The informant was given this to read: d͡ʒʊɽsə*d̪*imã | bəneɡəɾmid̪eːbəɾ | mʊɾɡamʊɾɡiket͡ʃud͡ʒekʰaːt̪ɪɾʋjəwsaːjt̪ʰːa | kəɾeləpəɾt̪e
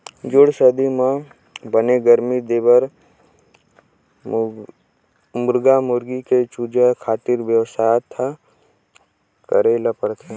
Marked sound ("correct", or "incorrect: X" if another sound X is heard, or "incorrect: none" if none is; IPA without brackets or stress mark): correct